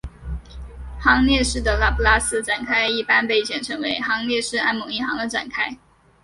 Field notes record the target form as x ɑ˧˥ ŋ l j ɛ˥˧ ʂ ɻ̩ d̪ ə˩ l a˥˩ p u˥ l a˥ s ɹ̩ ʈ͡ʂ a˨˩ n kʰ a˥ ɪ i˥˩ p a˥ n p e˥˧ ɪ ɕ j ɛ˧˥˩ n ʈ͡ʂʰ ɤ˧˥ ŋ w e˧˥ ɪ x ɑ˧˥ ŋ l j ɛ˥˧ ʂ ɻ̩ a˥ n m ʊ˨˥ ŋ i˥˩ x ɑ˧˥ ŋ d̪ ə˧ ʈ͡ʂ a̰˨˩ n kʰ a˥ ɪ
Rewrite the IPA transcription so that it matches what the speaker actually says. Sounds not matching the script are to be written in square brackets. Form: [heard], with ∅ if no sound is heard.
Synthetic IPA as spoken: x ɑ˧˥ ŋ l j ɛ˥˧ ʂ ɻ̩ d̪ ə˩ l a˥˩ p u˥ l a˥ s ɹ̩ ʈ͡ʂ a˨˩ n kʰ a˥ ɪ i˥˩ p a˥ n p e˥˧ ɪ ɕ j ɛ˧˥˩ n ʈ͡ʂʰ ɤ˧˥ ŋ w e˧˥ ɪ x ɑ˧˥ ŋ l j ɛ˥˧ ʂ ɻ̩ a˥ n m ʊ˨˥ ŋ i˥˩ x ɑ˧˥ ŋ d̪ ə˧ ʈ͡ʂ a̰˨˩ n kʰ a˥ ɪ

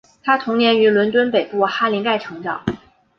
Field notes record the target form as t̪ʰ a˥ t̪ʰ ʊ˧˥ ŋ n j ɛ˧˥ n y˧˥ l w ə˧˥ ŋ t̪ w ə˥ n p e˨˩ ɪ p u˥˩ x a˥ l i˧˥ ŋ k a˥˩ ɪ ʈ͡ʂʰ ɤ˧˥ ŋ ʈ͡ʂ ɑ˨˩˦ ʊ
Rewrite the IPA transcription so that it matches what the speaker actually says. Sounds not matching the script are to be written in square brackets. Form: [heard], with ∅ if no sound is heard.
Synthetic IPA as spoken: t̪ʰ a˥ t̪ʰ ʊ˧˥ ŋ n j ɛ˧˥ n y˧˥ l w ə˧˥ [n] t̪ w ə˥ n p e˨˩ ɪ p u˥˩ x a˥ l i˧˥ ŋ k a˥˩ ɪ ʈ͡ʂʰ ɤ˧˥ ŋ ʈ͡ʂ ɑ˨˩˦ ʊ

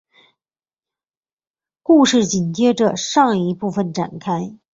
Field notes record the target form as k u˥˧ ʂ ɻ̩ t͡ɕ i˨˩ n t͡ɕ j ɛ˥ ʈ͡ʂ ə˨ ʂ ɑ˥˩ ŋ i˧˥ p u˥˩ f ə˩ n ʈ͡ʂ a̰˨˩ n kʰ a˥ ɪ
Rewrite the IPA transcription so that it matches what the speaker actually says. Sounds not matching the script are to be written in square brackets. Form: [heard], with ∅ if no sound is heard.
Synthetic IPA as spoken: k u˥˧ ʂ ɻ̩ t͡ɕ i˨˩ n t͡ɕ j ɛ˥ ʈ͡ʂ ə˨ ʂ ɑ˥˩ ŋ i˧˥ p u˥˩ f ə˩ n ʈ͡ʂ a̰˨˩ n kʰ a˥ ɪ

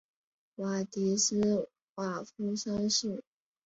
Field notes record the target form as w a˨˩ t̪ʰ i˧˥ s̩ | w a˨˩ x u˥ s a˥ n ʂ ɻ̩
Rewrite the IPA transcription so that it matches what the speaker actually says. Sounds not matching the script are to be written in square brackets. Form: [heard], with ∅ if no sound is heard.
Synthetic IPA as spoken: w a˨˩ [t̪] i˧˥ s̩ | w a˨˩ [f] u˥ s a˥ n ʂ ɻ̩

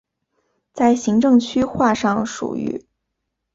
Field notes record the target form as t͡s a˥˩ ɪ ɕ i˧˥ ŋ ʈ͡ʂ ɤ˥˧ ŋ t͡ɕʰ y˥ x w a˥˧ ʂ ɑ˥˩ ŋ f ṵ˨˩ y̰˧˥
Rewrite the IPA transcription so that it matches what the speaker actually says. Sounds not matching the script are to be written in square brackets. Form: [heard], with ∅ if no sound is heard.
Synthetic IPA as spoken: t͡s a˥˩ ɪ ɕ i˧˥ ŋ ʈ͡ʂ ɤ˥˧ ŋ t͡ɕʰ y˥ x w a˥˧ ʂ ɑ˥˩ ŋ [ʂ] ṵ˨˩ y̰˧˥

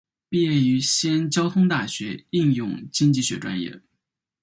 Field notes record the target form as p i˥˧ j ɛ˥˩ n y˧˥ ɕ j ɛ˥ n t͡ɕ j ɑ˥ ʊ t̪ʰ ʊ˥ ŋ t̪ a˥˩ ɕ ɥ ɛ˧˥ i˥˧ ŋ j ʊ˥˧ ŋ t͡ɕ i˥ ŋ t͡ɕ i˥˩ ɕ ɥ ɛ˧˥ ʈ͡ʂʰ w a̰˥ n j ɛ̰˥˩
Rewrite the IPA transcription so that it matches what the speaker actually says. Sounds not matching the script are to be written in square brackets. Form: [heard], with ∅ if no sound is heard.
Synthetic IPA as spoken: p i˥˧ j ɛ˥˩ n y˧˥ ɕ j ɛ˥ n t͡ɕ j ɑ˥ ʊ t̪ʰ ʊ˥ ŋ t̪ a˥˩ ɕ ɥ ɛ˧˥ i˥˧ ŋ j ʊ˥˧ ŋ t͡ɕ i˥ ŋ t͡ɕ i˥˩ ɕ ɥ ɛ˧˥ [ʈ͡ʂ] w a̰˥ n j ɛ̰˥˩

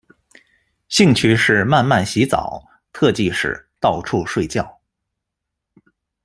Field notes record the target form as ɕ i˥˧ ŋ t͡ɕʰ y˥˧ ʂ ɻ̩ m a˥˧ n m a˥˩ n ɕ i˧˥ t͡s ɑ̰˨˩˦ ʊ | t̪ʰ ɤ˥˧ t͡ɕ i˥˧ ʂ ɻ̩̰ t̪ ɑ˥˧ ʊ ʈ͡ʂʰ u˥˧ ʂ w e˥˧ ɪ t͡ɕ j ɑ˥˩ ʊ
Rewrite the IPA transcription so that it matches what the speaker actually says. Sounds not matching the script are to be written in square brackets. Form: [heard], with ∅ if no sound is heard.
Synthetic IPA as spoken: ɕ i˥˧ ŋ t͡ɕʰ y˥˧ ʂ ɻ̩ m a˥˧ n m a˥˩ n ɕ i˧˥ t͡s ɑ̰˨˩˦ ʊ | t̪ʰ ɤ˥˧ t͡ɕ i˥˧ ʂ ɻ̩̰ t̪ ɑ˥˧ ʊ ʈ͡ʂʰ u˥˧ ʂ w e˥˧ ɪ t͡ɕ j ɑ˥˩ ʊ

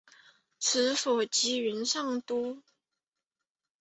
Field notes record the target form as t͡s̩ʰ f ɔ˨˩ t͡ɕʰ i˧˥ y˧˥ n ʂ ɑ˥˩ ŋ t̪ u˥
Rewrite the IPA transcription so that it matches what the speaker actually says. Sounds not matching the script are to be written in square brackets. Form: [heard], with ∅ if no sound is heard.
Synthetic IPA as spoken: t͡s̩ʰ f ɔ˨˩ [t͡ɕ] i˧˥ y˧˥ n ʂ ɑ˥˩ ŋ t̪ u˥

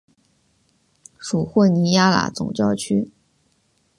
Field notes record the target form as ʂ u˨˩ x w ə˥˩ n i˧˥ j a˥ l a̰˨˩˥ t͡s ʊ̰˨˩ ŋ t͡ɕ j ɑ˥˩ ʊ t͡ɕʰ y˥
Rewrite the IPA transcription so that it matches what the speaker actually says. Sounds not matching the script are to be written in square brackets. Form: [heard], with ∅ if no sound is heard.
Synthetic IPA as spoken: ʂ u˨˩ x w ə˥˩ n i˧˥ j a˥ l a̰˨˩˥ t͡s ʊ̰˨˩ ŋ t͡ɕ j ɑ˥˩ ʊ t͡ɕʰ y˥

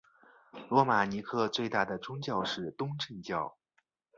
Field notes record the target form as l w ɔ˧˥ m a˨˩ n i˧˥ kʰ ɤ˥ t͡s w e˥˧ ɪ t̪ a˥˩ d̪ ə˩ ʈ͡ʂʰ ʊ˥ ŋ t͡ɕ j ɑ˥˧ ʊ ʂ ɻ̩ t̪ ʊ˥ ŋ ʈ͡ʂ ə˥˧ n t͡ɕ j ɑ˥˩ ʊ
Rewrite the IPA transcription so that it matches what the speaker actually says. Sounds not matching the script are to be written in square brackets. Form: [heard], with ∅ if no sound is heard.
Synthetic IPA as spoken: l w ɔ˧˥ m a˨˩ n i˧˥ kʰ [ɤ˥˧] t͡s w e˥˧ ɪ t̪ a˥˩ d̪ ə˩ [ʈ͡ʂ] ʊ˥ ŋ t͡ɕ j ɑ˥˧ ʊ ʂ ɻ̩ t̪ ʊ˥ ŋ ʈ͡ʂ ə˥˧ n t͡ɕ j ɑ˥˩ ʊ

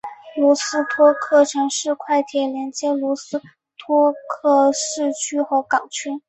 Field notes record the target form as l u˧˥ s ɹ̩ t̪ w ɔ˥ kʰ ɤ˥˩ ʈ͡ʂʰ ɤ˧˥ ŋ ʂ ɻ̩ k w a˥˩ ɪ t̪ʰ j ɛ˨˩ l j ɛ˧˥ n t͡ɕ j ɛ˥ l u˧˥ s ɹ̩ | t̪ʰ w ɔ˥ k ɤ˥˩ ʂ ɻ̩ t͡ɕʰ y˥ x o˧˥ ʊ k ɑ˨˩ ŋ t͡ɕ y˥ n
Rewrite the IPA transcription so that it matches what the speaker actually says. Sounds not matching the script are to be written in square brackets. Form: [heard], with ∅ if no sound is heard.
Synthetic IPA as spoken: l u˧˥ s ɹ̩ [t̪ʰ] w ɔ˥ kʰ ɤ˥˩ ʈ͡ʂʰ ɤ˧˥ ŋ ʂ ɻ̩ [kʰ] w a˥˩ ɪ t̪ʰ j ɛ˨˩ l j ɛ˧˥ n t͡ɕ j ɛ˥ l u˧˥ s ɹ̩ | t̪ʰ w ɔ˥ [kʰ] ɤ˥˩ ʂ ɻ̩ t͡ɕʰ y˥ x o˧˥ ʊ k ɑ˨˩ ŋ [t͡ɕʰ] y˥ n

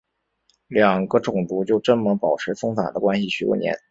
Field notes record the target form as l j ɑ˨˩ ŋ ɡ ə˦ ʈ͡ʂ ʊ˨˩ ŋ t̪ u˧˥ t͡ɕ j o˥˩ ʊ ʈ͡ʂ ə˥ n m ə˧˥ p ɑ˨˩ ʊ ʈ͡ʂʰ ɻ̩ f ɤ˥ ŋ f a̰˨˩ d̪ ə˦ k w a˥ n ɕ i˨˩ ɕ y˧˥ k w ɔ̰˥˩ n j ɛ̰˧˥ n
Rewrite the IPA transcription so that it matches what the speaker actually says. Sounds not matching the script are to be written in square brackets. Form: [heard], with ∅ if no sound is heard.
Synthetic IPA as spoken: l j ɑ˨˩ ŋ ɡ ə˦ ʈ͡ʂ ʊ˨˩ ŋ t̪ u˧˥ t͡ɕ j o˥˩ ʊ ʈ͡ʂ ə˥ n m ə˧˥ p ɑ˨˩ ʊ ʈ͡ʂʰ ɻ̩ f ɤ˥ ŋ f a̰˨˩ d̪ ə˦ k w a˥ n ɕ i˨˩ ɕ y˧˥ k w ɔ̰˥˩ n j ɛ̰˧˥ n

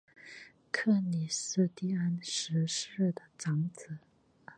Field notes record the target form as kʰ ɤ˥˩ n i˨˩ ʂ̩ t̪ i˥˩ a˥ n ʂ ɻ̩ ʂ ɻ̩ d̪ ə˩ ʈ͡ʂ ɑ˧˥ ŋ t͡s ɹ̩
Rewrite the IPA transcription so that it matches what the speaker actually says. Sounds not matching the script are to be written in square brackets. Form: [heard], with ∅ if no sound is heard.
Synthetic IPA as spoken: kʰ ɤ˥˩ n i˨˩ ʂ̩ t̪ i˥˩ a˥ n ʂ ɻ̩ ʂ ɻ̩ d̪ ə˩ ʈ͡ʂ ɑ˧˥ ŋ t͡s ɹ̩

